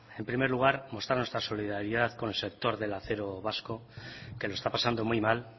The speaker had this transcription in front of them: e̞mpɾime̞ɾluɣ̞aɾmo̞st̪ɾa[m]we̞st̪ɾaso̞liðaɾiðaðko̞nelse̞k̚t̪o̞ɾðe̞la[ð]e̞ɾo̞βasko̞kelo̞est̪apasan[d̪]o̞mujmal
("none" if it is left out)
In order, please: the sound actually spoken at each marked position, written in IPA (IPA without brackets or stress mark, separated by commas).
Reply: n, θ, d̪